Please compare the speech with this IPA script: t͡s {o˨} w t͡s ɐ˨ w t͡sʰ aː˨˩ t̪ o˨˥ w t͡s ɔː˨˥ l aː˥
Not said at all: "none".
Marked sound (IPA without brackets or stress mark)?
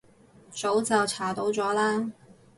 o˨˥